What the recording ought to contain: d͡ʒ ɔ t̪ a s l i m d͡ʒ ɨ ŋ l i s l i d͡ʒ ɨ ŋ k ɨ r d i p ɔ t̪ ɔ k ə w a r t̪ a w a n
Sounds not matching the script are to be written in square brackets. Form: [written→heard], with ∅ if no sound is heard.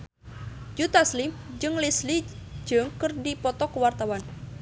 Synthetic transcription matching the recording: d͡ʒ [ɔ→u] t̪ a s l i m d͡ʒ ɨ ŋ l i s l i d͡ʒ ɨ ŋ k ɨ r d i p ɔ t̪ ɔ k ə w a r t̪ a w a n

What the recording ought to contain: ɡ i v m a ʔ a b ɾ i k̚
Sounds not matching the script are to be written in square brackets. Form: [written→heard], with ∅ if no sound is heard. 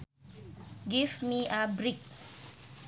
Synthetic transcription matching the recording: ɡ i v m [a→i] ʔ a b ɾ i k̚

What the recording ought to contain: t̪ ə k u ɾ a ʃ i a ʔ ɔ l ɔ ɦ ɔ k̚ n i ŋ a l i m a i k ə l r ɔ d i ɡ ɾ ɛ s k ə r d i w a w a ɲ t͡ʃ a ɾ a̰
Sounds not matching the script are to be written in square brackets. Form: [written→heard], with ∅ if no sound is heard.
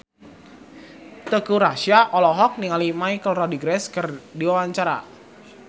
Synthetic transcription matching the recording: t̪ ə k u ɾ a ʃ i a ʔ ɔ l ɔ ɦ ɔ k̚ n i ŋ a l i m a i k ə l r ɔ d i ɡ ɾ ɛ s k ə r d i w a w a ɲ t͡ʃ a ɾ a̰

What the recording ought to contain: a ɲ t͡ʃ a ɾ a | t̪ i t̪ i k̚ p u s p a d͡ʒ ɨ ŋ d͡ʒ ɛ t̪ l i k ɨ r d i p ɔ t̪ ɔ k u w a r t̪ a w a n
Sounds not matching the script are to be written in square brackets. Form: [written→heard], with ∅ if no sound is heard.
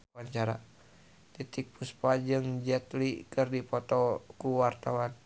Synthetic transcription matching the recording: a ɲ t͡ʃ a ɾ a | t̪ i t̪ i k̚ p u s p a d͡ʒ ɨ ŋ d͡ʒ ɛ t̪ l i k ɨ r d i p ɔ t̪ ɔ k u w a r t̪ a w a n

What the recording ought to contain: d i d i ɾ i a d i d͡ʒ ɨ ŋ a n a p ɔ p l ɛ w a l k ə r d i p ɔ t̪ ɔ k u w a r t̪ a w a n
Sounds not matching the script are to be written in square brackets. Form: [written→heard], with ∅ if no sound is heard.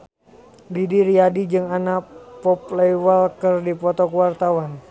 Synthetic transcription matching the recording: d i d i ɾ i a d i d͡ʒ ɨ ŋ a n a p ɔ p l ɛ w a l k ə r d i p ɔ t̪ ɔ k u w a r t̪ a w a n

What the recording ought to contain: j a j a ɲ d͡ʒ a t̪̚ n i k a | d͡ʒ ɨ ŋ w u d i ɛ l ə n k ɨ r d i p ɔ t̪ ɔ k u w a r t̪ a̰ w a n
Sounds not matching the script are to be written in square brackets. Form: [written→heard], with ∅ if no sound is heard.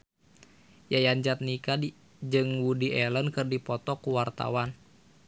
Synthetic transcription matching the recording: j a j a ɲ d͡ʒ a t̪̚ n i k a | d͡ʒ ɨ ŋ w u d i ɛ l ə n k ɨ r d i p ɔ t̪ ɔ k u w a r t̪ a̰ w a n

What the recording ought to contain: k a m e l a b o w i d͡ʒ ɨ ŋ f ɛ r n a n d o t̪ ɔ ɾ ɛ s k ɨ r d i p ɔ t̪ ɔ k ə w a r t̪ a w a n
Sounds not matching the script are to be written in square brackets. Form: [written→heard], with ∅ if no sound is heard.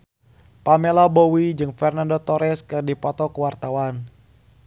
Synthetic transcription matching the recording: [k→p] a m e l a b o w i d͡ʒ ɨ ŋ f ɛ r n a n d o t̪ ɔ ɾ ɛ s k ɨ r d i p ɔ t̪ ɔ k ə w a r t̪ a w a n

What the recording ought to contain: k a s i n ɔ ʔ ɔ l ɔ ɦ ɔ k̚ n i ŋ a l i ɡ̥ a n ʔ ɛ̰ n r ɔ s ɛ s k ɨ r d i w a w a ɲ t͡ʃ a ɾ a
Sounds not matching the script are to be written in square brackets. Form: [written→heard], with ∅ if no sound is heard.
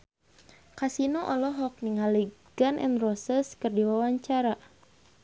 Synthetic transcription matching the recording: k a s i n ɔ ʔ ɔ l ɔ ɦ ɔ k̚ n i ŋ a l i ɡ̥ a n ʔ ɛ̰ n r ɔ s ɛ s k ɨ r d i w a w a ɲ t͡ʃ a ɾ a

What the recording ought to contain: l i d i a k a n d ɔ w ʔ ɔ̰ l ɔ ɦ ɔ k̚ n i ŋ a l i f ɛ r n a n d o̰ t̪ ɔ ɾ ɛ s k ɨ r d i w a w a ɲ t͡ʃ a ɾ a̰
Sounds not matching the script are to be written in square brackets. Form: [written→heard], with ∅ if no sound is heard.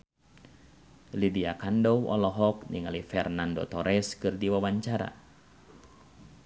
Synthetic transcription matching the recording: l i d i a k a n d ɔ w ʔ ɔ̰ l ɔ ɦ ɔ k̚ n i ŋ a l i f ɛ r n a n d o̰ t̪ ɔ ɾ ɛ s k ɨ r d i w a w a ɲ t͡ʃ a ɾ a̰

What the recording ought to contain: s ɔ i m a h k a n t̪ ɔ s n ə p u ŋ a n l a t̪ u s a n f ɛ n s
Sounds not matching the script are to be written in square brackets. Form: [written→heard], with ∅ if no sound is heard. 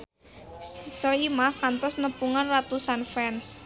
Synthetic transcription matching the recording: s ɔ i m a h k a n t̪ ɔ s n ə p u ŋ a n [l→r] a t̪ u s a n f ɛ n s

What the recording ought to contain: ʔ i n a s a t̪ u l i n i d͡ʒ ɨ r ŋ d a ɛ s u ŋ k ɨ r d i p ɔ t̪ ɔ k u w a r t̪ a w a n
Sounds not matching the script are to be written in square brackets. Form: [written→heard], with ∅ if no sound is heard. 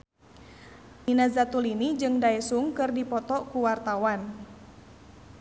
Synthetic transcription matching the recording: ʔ i n a [s→z] a t̪ u l i n i d͡ʒ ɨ [r→∅] ŋ d a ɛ s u ŋ k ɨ r d i p ɔ t̪ ɔ k u w a r t̪ a w a n

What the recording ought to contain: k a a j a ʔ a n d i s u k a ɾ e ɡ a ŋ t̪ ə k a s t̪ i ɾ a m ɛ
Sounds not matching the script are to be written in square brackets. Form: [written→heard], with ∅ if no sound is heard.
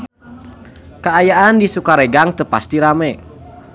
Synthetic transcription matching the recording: k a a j a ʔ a n d i s u k a ɾ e ɡ a ŋ t̪ ə [k→p] a s t̪ i ɾ a m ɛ

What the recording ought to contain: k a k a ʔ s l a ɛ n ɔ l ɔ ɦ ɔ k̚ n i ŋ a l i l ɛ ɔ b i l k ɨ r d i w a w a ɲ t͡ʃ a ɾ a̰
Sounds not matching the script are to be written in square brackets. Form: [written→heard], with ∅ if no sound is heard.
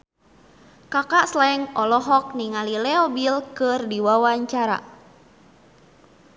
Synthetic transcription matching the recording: k a k a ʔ s l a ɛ [n→ŋ] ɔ l ɔ ɦ ɔ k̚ n i ŋ a l i l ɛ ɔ b i l k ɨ r d i w a w a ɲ t͡ʃ a ɾ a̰

